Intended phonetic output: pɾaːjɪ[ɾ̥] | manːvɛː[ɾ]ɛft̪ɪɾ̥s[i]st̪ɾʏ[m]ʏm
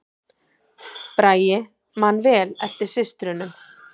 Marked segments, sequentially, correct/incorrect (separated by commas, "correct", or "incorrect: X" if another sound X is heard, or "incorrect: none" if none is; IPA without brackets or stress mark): incorrect: none, incorrect: l, incorrect: ɪ, incorrect: n